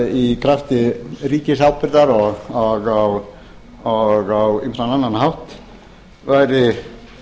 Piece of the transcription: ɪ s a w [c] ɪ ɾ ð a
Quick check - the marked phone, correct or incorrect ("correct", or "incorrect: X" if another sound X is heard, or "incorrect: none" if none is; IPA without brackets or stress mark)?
incorrect: p